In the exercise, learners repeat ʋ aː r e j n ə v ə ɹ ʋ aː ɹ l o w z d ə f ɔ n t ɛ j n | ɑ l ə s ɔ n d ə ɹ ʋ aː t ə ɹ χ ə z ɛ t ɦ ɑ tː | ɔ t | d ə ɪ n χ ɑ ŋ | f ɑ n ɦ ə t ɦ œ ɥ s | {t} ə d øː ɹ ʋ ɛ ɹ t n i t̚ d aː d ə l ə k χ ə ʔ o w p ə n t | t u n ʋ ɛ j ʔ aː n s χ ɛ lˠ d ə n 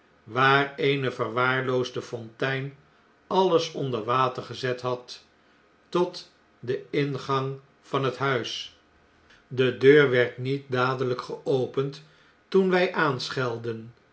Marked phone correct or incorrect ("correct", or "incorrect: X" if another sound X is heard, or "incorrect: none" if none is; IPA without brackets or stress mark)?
incorrect: d